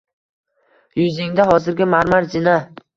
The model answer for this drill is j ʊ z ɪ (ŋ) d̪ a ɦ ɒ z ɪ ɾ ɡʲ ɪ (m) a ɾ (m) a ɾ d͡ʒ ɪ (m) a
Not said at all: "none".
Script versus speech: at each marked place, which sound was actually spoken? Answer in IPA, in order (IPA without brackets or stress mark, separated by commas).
ŋ, m, m, n